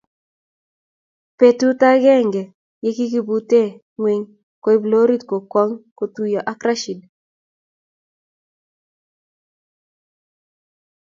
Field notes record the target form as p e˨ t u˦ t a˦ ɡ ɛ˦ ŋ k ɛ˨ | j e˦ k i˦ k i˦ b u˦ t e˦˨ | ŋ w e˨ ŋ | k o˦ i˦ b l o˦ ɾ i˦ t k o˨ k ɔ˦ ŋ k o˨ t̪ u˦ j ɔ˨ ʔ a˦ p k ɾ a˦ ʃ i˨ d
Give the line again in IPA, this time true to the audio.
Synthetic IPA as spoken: p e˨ t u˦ t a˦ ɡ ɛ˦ ŋ ɡ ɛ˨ | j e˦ k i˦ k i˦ b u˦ t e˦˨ | ŋ w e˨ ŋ | k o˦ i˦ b l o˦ ɾ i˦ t k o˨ k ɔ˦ ŋ k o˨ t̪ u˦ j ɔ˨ ʔ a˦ k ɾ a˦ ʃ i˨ d